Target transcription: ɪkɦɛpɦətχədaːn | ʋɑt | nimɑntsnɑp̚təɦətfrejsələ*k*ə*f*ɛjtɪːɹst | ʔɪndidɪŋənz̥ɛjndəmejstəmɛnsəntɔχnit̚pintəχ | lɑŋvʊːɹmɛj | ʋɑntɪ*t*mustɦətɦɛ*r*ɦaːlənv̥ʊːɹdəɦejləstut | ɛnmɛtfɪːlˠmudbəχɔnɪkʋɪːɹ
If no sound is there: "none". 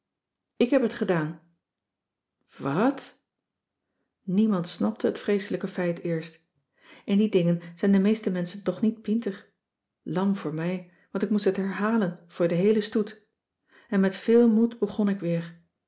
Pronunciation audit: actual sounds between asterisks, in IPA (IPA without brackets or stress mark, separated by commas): k, f, k, ɹ